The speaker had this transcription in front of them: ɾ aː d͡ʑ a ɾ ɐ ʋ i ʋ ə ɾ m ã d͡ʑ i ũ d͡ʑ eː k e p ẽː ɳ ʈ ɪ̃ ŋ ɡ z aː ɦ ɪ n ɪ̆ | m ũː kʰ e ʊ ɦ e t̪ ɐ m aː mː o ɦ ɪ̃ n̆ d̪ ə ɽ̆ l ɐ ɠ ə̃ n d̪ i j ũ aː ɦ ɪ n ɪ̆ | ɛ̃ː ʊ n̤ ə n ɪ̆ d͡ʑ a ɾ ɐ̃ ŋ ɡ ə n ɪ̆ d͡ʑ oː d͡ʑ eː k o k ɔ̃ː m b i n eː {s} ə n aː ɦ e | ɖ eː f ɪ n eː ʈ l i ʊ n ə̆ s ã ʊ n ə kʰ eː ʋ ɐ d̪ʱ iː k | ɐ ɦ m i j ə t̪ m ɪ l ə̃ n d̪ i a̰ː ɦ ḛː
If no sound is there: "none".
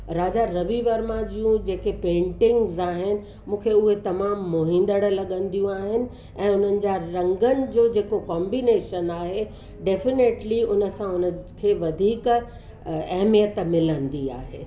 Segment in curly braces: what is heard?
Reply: ʃ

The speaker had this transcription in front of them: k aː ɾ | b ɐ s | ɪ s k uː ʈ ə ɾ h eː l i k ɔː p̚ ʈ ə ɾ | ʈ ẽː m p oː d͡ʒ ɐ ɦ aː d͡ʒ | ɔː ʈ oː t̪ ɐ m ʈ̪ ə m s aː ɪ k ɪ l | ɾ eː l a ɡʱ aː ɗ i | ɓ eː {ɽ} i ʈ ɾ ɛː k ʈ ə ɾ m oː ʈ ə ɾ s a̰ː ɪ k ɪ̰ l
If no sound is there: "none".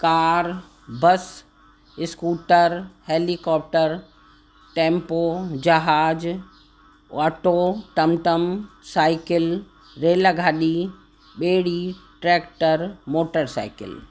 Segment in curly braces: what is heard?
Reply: ɽ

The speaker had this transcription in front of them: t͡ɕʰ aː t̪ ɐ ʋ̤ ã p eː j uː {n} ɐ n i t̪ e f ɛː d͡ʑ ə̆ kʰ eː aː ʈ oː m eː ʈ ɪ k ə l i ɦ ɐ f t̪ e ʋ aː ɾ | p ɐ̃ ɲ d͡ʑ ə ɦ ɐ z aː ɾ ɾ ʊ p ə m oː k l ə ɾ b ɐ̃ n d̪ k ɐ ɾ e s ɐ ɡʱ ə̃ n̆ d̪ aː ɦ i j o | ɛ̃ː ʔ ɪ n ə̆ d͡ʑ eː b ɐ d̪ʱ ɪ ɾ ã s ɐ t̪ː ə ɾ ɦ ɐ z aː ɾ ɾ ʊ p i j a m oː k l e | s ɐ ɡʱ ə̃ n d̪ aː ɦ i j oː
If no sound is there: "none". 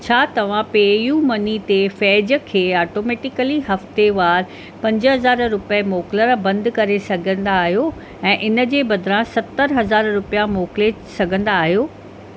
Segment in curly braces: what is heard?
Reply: m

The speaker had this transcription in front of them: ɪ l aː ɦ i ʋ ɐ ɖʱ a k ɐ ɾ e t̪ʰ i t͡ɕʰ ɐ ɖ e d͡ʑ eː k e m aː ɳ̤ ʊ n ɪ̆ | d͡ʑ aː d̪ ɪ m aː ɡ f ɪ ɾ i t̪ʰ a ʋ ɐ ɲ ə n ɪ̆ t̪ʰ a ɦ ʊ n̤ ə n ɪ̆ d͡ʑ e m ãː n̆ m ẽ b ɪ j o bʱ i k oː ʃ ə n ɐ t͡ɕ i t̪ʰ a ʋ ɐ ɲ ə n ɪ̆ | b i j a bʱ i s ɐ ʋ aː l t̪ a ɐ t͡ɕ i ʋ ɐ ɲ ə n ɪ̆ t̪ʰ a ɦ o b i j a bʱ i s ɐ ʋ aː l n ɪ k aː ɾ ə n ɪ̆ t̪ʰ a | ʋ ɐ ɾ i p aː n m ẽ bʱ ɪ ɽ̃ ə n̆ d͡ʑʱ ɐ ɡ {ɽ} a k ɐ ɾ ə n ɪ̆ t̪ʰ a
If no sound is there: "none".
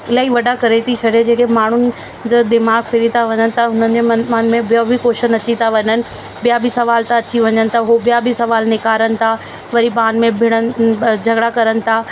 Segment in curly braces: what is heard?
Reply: ɽ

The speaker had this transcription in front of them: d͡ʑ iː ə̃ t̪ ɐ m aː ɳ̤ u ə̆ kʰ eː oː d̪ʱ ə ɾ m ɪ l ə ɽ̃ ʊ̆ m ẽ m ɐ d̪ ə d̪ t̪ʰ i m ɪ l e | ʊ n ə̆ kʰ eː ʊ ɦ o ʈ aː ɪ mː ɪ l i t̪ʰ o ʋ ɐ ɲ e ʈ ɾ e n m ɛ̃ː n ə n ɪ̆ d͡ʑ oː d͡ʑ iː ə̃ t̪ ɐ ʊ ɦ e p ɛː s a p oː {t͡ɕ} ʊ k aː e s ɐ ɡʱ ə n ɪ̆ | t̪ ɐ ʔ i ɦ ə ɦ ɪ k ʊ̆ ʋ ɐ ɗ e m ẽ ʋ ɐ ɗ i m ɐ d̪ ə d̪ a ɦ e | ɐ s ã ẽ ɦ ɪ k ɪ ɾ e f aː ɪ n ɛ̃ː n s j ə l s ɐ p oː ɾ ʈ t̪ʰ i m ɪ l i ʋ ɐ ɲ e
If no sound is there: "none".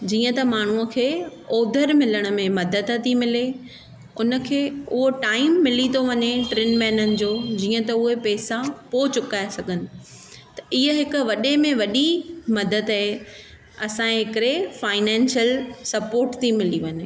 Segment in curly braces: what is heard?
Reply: t͡ɕ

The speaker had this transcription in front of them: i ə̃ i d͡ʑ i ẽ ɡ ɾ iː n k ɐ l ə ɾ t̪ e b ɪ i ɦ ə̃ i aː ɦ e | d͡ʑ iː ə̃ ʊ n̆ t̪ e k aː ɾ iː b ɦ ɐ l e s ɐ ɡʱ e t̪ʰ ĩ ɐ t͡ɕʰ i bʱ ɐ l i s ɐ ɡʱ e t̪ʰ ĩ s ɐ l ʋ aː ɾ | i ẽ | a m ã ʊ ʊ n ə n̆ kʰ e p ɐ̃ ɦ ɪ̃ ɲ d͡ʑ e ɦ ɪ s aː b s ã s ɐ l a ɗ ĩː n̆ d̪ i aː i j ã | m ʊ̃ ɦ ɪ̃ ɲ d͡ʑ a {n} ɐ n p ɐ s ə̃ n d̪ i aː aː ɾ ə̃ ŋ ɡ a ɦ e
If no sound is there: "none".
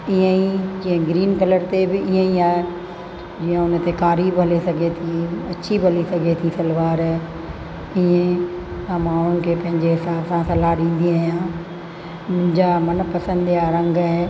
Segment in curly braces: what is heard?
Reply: m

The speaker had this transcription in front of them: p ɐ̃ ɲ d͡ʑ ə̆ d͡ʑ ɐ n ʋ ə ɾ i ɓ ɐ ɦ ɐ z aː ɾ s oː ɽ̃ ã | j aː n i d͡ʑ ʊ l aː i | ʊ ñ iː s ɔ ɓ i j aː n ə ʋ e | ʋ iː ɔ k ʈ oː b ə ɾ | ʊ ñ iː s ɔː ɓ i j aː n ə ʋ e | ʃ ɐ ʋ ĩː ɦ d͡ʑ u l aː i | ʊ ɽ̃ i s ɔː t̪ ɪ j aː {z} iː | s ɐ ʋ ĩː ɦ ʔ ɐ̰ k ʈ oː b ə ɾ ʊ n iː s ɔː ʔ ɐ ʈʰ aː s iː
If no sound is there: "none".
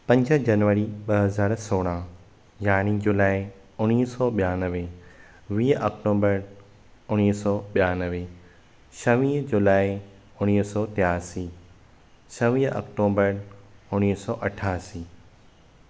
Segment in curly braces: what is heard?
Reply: s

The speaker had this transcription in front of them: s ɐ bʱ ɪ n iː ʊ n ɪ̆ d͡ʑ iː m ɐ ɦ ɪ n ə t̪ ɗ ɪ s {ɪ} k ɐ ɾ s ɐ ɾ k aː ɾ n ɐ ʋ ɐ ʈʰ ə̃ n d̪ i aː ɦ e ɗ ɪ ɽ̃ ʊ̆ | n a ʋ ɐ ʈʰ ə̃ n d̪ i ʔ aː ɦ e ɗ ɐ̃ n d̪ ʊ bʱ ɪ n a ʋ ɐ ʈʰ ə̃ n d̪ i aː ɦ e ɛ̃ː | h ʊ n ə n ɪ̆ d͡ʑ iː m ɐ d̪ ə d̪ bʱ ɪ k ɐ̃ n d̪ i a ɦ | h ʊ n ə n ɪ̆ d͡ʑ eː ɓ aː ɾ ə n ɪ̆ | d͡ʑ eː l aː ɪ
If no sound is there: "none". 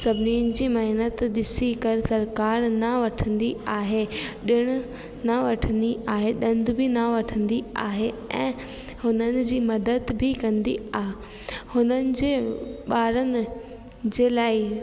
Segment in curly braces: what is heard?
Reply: i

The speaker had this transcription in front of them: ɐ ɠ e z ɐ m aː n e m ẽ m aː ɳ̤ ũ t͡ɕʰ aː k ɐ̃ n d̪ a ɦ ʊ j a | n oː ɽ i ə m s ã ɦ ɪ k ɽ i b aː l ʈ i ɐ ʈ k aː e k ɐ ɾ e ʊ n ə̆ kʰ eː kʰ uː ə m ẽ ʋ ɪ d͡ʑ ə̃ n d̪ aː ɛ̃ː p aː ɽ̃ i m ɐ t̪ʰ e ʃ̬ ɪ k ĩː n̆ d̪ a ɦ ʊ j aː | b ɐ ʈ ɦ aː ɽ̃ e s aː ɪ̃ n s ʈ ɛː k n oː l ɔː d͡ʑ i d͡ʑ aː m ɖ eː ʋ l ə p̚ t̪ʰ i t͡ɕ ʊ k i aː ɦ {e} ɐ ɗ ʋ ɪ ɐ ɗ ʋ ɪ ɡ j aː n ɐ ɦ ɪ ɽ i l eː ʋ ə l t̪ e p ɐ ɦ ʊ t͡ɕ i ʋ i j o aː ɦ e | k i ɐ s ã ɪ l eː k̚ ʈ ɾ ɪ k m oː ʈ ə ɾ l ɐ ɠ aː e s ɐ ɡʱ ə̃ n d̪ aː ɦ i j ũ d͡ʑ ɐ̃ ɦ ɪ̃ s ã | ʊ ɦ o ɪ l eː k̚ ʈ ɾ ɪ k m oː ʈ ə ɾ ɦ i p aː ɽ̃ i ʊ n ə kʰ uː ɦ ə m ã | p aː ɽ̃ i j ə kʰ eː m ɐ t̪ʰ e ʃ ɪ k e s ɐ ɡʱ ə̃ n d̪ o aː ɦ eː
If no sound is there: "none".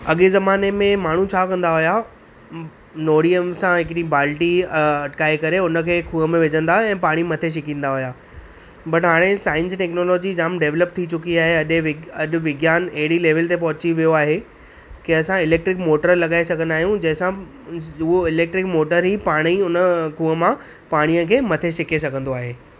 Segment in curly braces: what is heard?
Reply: e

